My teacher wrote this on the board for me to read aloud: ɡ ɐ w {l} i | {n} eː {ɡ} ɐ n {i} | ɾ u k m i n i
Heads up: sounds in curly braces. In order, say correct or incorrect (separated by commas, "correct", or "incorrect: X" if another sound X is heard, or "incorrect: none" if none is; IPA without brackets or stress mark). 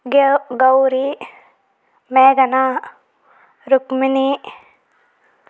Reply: incorrect: ɾ, incorrect: m, correct, incorrect: a